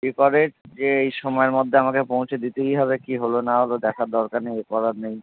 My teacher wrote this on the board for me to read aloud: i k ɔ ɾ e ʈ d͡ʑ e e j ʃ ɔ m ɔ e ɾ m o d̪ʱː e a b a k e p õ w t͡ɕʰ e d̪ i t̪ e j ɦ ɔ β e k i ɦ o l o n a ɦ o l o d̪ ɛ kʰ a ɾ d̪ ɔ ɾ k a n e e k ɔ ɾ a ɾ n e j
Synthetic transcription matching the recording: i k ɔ ɾ e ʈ d͡ʑ e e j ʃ ɔ m ɔ e ɾ m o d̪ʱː e a m a k e p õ w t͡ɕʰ e d̪ i t̪ e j ɦ ɔ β e k i ɦ o l o n a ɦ o l o d̪ ɛ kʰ a ɾ d̪ ɔ ɾ k a n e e k ɔ ɾ a ɾ n e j